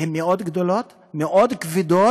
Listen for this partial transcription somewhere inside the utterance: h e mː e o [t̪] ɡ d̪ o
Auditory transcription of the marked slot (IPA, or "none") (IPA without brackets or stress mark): d̪